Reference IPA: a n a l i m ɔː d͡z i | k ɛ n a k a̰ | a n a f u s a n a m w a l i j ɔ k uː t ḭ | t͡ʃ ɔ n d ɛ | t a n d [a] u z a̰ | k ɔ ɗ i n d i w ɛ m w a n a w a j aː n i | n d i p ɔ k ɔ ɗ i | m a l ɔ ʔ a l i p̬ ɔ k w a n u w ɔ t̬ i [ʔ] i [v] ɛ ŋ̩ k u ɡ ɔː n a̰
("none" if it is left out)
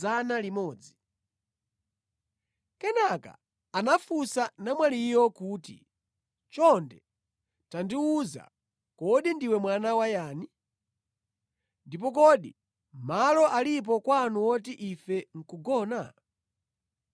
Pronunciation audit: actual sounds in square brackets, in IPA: i, ʔ, f

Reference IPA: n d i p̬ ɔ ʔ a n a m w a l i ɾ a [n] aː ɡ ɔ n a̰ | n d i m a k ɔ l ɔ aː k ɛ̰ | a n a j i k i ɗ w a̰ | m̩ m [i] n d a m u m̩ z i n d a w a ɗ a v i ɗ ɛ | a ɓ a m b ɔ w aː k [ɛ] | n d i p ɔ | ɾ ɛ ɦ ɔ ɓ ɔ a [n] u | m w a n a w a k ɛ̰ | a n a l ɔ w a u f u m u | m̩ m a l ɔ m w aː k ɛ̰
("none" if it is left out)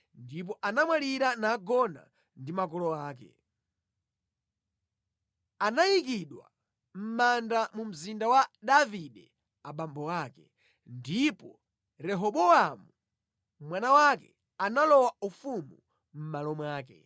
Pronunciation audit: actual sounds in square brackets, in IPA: n, a, ɛ, m

